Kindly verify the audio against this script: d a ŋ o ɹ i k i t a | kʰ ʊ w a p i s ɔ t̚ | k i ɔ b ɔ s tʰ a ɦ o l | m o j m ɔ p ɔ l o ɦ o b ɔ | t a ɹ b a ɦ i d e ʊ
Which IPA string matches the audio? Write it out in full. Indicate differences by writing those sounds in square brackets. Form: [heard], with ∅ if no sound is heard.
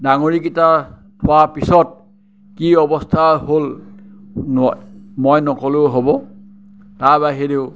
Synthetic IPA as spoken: d a ŋ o ɹ i k i t a | [tʰ] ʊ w a p i s ɔ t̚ | k i ɔ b ɔ s tʰ a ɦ o l | m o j [n] ɔ [k] ɔ l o ɦ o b ɔ | t a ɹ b a ɦ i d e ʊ